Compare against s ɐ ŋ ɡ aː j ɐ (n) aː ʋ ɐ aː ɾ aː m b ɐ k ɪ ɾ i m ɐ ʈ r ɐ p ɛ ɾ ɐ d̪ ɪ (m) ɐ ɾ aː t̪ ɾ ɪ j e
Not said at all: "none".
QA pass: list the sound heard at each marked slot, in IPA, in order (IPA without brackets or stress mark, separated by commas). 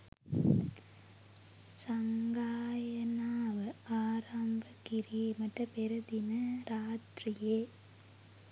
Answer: n, n